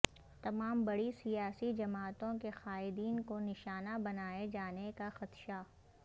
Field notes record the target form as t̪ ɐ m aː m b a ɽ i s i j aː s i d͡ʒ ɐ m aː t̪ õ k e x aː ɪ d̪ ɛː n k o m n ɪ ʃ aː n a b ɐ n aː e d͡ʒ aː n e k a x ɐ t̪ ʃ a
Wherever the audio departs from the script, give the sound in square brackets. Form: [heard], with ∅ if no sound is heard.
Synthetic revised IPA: t̪ ɐ m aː m b [ɐ] ɽ i s i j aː s i d͡ʒ ɐ m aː t̪ õ k e x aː ɪ d̪ [iː] n k o [∅] n ɪ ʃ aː n a b ɐ n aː e d͡ʒ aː n e k a x ɐ t̪ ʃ a